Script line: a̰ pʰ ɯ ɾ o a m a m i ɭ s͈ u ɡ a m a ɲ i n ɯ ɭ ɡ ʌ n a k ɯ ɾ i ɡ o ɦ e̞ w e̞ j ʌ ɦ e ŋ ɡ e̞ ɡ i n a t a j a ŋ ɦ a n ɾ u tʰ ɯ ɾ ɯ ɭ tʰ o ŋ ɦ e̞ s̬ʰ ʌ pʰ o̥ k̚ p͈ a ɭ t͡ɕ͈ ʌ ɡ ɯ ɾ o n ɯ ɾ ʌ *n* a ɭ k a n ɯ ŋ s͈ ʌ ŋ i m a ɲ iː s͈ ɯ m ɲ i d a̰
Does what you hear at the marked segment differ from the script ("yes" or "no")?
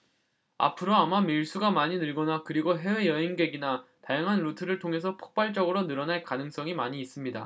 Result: no